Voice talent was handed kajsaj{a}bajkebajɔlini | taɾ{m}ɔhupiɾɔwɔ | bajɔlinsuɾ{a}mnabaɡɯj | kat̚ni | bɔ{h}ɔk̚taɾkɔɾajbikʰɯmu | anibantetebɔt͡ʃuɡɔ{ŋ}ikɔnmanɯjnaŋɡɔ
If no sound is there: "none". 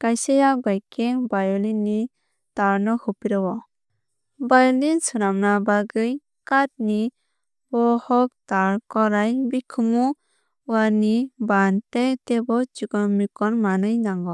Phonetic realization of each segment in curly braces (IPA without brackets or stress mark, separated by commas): a, n, a, h, m